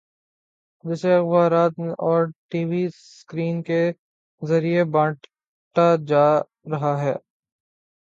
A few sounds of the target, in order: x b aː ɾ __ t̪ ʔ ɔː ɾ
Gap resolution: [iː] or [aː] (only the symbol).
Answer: aː